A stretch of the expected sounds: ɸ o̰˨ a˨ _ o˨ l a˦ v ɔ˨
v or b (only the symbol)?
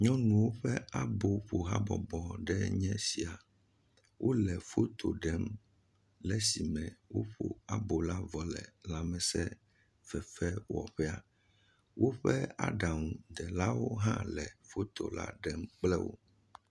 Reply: b